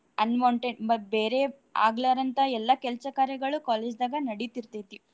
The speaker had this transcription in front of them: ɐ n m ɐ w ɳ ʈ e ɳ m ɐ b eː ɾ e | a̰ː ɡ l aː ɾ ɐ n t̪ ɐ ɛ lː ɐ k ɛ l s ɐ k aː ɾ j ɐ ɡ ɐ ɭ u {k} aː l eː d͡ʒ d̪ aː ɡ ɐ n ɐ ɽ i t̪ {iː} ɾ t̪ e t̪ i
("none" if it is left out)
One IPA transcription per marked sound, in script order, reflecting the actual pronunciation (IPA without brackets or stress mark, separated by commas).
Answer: k, i